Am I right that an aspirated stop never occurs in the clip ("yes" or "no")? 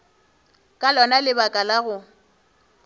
yes